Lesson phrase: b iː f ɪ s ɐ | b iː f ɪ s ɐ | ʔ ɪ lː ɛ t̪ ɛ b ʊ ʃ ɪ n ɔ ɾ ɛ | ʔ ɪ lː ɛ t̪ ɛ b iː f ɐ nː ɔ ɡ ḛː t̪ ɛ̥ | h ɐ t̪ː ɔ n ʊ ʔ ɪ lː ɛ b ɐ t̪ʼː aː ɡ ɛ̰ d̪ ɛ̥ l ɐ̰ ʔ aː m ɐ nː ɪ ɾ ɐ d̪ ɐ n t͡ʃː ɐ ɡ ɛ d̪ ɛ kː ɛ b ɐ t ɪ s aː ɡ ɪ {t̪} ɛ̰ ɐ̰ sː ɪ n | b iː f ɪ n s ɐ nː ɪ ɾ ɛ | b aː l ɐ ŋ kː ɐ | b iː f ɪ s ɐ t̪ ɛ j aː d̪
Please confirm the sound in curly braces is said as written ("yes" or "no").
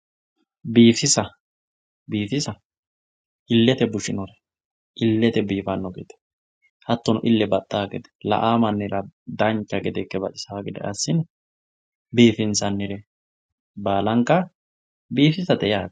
no